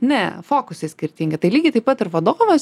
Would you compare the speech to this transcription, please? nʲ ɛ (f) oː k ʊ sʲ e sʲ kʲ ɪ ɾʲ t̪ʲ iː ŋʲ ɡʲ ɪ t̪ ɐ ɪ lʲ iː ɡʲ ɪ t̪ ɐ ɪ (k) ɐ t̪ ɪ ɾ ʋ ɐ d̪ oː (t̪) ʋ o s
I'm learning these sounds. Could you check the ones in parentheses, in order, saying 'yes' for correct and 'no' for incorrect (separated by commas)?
yes, no, no